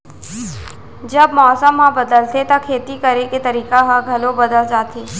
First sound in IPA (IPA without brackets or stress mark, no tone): d͡ʒ